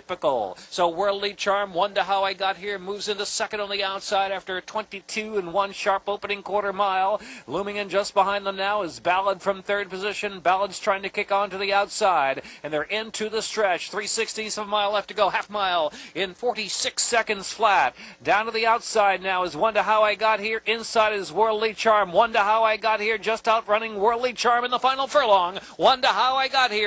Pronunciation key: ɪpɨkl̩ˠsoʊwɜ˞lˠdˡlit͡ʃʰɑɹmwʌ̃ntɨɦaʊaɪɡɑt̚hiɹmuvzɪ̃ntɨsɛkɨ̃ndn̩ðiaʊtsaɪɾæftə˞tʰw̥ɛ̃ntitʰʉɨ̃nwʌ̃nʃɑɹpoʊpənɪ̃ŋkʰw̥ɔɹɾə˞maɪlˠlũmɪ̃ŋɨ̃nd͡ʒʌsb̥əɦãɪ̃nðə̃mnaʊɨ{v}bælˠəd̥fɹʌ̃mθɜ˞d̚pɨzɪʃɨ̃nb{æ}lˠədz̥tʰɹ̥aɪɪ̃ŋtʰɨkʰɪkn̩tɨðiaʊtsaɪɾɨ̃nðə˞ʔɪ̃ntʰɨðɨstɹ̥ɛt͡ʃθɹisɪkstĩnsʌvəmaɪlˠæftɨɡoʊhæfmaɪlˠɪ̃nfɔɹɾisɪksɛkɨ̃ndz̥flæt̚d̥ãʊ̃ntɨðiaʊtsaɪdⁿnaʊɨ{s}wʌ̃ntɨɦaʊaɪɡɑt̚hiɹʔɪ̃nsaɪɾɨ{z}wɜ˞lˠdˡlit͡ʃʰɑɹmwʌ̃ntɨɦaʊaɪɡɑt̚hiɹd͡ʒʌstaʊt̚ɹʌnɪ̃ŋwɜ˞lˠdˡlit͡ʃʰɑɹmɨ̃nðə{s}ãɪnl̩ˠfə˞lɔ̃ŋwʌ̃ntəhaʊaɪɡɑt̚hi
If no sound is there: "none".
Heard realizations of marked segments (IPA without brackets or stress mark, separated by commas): z, æ, z, z, f